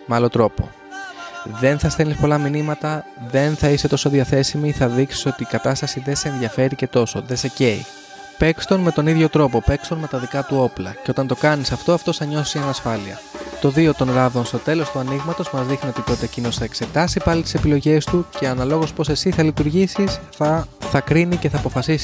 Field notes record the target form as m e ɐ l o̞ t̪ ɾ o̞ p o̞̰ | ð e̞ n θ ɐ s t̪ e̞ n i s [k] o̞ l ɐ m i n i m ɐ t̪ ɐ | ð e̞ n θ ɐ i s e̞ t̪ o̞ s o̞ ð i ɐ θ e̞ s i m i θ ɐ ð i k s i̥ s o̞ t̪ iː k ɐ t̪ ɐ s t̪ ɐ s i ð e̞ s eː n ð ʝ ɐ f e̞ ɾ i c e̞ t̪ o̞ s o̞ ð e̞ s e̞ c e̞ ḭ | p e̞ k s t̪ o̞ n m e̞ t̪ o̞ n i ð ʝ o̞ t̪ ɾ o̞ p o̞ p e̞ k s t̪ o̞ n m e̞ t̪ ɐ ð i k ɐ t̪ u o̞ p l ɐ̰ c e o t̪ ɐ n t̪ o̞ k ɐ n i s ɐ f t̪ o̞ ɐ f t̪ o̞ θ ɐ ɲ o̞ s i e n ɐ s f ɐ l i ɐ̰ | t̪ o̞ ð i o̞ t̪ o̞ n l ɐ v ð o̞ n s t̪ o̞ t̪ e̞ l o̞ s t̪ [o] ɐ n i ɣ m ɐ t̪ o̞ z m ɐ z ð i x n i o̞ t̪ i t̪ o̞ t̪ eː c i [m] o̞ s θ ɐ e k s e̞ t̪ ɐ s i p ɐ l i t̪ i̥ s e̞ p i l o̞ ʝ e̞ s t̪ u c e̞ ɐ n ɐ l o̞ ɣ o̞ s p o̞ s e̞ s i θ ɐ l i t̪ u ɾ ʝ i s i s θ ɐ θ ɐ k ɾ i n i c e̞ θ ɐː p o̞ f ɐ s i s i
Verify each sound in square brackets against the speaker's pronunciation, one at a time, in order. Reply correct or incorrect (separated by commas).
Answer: incorrect, incorrect, incorrect